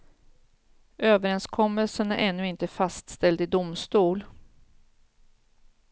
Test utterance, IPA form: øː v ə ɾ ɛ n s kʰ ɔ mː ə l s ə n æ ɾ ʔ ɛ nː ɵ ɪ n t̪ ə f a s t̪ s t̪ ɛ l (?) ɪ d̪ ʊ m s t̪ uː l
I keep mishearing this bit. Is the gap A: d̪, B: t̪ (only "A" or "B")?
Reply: A